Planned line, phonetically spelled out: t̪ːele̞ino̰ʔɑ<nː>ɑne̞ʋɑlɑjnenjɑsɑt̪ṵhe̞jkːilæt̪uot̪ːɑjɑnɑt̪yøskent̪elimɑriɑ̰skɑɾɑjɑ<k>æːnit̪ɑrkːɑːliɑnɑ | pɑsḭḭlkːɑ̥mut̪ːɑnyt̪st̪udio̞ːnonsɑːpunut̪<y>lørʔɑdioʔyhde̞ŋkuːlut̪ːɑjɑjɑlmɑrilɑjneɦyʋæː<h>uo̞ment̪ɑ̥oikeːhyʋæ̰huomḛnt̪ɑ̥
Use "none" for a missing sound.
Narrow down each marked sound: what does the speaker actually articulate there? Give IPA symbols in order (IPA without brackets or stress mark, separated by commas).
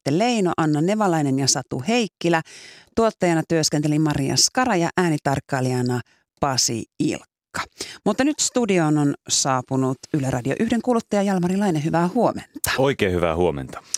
nː, ʔ, y, h